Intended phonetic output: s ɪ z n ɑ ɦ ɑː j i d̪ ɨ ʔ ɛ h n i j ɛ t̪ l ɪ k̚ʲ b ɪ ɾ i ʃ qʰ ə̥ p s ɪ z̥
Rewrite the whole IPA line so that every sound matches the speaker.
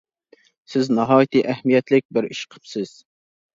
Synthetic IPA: s ɪ z n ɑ ɦ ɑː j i t̪ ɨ ʔ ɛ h m i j ɛ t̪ l ɪ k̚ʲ b ɪ ɾ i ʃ qʰ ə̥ p s ɪ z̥